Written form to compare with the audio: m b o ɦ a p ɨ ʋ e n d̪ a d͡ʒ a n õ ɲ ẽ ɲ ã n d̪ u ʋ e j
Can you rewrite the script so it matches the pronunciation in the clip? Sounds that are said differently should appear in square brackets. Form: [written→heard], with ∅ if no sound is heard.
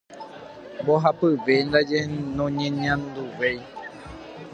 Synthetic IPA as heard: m b o ɦ a p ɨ ʋ e n d̪ a d͡ʒ [a→e] n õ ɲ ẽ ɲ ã n d̪ u ʋ e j